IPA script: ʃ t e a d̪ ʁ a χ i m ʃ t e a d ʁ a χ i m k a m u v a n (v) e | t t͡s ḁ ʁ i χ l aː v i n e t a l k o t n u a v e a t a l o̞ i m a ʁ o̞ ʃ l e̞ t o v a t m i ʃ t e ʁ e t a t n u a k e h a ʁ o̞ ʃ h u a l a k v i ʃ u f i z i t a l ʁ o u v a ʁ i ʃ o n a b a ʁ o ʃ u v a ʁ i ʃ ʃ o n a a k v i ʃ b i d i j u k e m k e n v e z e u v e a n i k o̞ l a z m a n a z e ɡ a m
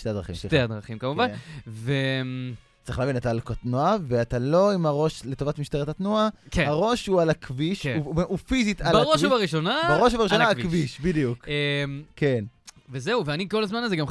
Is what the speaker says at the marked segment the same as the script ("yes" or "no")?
yes